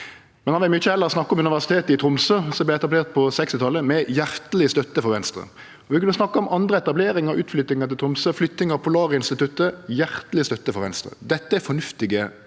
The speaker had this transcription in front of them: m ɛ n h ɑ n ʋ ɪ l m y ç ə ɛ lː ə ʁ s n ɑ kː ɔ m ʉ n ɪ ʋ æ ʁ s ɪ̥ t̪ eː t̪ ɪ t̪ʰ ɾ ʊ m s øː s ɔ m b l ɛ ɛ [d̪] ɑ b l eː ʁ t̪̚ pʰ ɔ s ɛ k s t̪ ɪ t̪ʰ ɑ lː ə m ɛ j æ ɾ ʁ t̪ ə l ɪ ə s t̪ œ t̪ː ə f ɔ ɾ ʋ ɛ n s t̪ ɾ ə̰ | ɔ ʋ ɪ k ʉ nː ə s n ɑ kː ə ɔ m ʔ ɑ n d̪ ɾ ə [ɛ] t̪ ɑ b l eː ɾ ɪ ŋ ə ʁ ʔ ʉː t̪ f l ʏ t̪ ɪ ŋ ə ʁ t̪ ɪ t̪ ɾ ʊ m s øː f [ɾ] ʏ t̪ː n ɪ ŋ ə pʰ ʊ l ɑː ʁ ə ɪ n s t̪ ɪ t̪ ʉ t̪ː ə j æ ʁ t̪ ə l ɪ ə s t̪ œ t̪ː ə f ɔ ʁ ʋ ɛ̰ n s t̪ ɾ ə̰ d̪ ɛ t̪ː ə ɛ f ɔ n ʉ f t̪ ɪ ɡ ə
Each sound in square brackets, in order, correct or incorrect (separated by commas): incorrect, correct, incorrect